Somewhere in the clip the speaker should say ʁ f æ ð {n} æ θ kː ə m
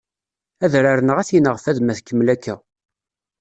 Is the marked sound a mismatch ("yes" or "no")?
yes